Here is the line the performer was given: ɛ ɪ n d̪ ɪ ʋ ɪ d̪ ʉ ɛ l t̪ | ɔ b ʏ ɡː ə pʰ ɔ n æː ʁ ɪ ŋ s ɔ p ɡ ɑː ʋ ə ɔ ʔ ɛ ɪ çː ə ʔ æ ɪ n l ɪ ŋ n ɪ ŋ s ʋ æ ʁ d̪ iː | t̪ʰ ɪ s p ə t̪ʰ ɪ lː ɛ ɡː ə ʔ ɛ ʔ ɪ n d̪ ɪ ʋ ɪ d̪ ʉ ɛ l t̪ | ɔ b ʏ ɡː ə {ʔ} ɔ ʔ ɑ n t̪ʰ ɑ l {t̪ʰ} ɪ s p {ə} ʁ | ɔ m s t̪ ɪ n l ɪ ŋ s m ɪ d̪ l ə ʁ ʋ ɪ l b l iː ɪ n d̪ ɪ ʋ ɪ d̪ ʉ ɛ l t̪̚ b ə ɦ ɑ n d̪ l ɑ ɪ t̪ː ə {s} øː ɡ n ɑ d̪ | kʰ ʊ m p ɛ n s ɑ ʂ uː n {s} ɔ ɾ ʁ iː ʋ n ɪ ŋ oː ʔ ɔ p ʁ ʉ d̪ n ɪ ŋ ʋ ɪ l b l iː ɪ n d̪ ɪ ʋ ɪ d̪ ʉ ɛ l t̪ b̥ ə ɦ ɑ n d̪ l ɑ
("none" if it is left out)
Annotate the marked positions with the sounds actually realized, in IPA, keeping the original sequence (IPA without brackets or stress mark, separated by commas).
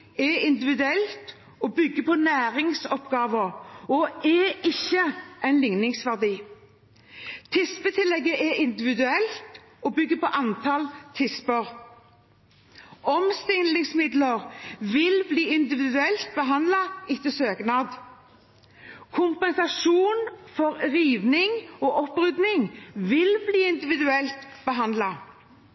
p, t̪ʰ, ə, s, f